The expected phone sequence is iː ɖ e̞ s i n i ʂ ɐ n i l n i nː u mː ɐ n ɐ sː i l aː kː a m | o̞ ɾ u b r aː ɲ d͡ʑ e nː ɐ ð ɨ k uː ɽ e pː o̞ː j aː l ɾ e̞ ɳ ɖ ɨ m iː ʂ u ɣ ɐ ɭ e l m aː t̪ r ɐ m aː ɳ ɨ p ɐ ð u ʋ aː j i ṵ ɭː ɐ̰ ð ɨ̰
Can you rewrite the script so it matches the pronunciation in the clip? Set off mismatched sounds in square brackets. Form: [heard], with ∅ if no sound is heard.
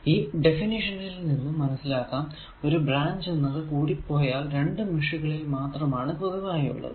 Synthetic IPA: iː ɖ e̞ [f] i n i ʂ ɐ n i l n i nː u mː ɐ n ɐ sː i l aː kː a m | o̞ ɾ u b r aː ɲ d͡ʑ e nː ɐ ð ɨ k uː ɽ [i] pː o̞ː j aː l ɾ e̞ ɳ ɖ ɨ m [i] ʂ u ɣ ɐ ɭ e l m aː t̪ r ɐ m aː ɳ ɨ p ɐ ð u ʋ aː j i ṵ ɭː ɐ̰ ð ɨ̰